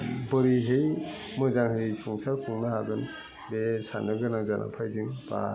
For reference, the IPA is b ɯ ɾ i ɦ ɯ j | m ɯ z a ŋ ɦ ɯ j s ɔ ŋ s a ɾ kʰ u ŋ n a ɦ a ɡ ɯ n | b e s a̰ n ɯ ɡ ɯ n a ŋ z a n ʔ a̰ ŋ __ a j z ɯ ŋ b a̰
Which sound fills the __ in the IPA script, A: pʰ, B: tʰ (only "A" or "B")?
A